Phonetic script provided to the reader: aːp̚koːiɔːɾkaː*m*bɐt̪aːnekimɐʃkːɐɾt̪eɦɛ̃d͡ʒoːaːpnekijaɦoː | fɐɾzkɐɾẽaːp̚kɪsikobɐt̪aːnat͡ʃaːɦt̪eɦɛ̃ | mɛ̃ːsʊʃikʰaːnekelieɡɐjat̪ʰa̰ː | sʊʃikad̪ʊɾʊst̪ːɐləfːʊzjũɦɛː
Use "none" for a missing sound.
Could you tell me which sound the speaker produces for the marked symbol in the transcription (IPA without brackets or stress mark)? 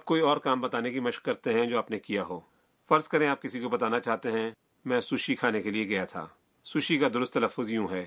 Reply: m